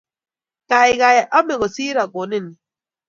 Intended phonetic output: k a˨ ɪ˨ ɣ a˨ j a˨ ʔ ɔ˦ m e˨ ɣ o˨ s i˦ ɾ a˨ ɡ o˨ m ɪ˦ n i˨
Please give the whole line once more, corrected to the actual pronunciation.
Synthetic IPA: k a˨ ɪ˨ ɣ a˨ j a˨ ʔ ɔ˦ m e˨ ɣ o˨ s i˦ ɾ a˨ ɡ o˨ n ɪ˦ n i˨